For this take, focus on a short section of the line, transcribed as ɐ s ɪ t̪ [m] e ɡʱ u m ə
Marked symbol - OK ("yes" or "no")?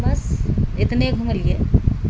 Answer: no